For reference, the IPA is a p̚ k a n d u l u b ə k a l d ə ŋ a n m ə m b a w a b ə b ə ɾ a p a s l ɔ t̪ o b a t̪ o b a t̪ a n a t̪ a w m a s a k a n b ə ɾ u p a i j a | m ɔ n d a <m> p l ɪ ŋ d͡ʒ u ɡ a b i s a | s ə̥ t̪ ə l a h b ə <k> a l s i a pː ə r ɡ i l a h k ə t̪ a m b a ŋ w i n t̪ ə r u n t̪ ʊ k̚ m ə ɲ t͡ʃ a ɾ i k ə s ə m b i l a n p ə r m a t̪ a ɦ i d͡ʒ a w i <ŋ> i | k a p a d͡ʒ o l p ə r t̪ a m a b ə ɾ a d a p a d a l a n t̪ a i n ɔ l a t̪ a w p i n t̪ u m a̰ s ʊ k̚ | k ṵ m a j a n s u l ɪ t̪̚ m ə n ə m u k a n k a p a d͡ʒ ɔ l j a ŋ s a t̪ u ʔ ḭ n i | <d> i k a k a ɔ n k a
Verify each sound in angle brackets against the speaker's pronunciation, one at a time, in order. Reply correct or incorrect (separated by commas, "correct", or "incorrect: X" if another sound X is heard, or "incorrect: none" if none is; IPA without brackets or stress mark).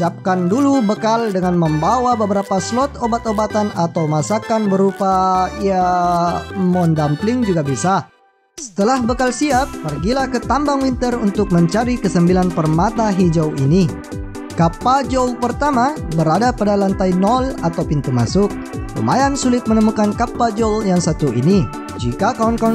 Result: correct, correct, incorrect: n, incorrect: d͡ʒ